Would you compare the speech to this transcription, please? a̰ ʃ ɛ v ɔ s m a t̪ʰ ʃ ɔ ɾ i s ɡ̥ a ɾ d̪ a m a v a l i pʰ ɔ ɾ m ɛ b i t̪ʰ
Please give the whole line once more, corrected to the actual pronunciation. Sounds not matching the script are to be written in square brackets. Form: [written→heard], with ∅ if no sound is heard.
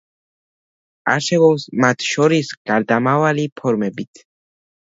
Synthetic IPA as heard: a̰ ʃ ɛ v ɔ s m a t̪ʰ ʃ ɔ ɾ i s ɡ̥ a ɾ d̪ a m a v a l i pʰ ɔ ɾ m ɛ b i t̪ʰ